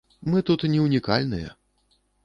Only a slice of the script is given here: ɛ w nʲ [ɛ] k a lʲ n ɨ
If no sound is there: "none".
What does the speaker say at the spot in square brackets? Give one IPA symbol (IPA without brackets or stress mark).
i